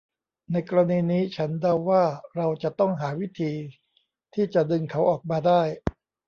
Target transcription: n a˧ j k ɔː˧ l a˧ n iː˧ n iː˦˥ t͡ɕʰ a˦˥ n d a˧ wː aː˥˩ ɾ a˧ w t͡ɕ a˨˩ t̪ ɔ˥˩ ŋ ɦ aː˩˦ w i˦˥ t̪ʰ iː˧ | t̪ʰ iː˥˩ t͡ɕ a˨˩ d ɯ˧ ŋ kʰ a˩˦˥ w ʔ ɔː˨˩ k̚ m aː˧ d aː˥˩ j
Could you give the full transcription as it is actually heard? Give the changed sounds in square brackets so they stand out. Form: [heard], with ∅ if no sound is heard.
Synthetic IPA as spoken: n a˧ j k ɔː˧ [ɾ] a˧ n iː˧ n iː˦˥ t͡ɕʰ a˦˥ n d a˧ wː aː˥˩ ɾ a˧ w t͡ɕ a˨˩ t̪ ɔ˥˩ ŋ ɦ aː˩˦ w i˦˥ t̪ʰ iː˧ | t̪ʰ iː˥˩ t͡ɕ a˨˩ d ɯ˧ ŋ kʰ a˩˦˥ w ʔ ɔː˨˩ k̚ m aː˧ d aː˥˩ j